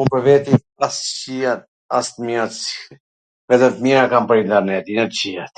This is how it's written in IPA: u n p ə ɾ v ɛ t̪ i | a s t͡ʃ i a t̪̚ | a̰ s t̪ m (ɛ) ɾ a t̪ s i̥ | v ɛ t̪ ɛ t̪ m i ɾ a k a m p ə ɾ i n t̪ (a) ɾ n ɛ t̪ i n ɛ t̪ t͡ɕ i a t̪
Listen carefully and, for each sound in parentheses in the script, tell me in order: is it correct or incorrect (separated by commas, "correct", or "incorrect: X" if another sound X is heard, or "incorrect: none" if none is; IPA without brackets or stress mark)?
incorrect: i, incorrect: ɛ